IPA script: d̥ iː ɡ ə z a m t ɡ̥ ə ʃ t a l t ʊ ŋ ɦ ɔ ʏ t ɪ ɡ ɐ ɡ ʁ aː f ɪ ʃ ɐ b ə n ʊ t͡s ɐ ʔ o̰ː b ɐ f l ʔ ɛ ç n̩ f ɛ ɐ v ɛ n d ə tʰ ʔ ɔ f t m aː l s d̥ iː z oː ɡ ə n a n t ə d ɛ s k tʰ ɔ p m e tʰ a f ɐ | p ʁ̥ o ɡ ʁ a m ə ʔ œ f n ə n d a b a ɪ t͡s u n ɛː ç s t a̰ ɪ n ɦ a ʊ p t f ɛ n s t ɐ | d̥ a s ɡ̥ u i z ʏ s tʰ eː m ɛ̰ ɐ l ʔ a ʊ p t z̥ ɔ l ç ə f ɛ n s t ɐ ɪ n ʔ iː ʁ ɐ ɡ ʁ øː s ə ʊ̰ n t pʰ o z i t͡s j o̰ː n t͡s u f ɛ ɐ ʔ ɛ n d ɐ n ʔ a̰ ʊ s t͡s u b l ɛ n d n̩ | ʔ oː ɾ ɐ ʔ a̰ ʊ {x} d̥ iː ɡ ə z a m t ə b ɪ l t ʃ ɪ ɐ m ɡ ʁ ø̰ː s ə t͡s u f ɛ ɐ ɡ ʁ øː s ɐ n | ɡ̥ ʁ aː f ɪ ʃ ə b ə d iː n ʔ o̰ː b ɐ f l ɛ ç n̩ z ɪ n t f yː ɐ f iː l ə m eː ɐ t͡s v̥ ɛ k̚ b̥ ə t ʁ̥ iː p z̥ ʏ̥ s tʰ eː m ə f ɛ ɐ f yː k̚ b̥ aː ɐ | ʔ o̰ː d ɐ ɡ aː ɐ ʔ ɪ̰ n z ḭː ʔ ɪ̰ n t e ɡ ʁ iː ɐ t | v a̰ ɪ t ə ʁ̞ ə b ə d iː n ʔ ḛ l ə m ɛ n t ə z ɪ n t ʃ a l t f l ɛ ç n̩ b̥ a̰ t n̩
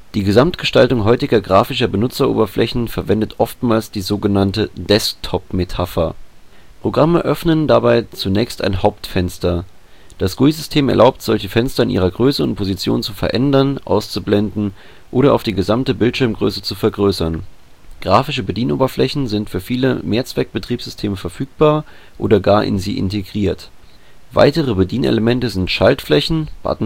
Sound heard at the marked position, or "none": f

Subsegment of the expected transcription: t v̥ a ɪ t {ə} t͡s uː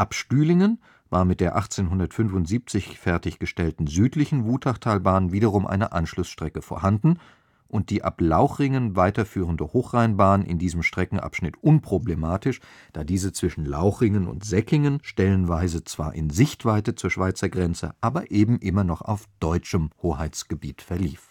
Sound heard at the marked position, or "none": ə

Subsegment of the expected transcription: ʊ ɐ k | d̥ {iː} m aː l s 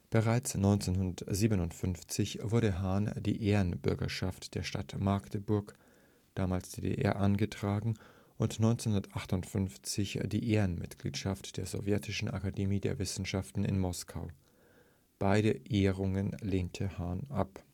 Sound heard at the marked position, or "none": aː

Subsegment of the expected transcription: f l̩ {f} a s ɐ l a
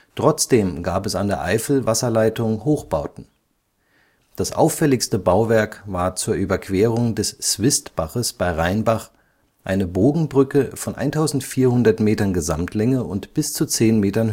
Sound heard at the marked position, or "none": v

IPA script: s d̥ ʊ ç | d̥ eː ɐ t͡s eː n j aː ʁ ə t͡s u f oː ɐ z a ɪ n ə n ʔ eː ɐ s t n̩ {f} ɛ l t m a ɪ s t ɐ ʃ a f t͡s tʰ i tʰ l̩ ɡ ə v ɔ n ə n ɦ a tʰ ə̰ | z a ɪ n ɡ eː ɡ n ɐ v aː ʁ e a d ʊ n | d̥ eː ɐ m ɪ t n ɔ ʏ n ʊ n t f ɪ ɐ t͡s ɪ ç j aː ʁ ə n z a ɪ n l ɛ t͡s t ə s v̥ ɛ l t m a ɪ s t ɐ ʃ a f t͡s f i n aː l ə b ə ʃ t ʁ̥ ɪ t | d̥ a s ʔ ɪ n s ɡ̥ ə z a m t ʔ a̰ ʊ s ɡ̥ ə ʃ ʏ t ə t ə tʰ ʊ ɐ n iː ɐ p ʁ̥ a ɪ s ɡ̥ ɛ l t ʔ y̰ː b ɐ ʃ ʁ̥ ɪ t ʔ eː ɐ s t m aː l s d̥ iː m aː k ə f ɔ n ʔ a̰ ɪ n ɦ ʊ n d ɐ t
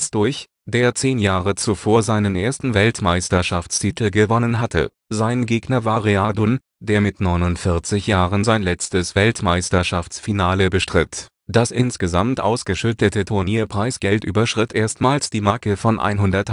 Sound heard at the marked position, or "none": v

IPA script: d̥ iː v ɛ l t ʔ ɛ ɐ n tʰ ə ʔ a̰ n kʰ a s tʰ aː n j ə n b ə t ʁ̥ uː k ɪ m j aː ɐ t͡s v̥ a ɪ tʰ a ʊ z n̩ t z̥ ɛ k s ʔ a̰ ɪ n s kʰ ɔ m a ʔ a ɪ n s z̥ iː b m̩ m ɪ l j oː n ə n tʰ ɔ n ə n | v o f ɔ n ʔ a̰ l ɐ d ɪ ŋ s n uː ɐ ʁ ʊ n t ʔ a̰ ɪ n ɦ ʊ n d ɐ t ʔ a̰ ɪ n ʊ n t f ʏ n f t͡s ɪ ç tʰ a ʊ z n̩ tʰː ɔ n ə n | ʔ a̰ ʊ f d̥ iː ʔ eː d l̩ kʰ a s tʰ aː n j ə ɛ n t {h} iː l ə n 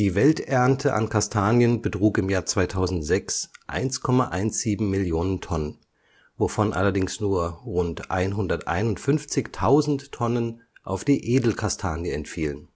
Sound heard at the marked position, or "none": f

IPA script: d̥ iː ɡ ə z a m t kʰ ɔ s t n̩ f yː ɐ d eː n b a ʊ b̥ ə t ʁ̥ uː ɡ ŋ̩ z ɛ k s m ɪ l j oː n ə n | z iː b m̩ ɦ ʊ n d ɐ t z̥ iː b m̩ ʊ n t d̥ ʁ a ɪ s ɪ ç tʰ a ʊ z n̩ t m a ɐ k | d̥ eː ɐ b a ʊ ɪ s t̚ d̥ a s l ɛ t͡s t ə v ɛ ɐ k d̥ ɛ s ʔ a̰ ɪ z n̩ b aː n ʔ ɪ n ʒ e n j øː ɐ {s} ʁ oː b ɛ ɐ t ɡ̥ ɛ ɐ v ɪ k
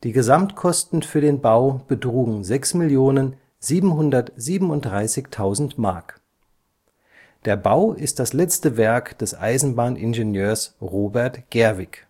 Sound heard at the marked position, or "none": s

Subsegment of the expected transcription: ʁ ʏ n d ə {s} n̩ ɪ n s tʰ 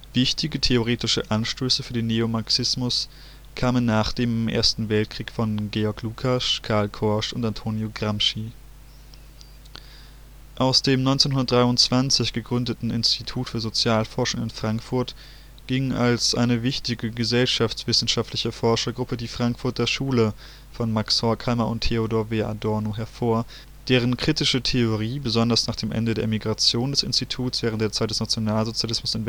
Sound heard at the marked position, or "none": t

